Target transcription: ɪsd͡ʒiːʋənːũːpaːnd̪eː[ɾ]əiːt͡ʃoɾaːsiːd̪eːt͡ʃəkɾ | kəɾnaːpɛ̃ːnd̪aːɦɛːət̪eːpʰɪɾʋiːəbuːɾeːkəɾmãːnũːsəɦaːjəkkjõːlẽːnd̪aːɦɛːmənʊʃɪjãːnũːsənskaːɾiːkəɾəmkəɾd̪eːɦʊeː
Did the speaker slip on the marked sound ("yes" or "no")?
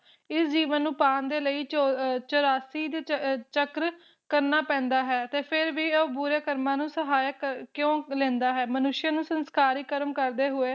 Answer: yes